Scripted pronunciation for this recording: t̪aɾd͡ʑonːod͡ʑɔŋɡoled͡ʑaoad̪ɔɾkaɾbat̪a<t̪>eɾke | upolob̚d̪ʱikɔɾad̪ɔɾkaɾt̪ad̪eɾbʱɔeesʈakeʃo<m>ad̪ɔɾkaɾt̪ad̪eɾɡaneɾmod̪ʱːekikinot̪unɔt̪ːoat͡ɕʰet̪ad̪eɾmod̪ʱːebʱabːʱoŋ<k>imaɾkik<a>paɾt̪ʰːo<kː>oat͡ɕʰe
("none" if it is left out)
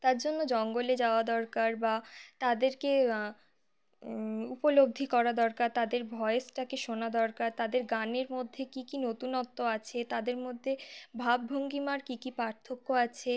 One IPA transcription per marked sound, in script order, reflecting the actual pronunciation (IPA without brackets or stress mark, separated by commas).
d̪, n, ɡ, i, kː